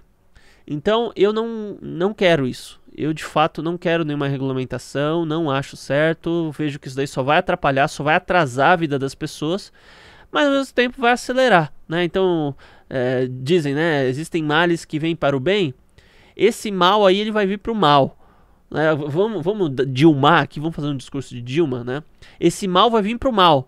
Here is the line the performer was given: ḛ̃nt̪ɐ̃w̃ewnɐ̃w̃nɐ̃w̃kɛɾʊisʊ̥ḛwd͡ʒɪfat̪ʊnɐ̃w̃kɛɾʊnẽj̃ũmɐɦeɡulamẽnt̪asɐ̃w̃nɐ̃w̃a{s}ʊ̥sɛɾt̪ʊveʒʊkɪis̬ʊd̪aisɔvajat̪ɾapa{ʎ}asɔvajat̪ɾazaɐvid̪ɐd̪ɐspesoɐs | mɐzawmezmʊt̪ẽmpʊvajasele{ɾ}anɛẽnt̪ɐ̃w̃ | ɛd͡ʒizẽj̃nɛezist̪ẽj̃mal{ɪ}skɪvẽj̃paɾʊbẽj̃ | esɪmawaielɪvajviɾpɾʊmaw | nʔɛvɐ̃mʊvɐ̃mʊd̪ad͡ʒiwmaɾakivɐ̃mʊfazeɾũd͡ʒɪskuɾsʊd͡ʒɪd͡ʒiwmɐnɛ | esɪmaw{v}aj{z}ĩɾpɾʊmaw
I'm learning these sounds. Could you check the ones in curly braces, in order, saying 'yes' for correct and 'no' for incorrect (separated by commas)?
no, yes, yes, yes, yes, no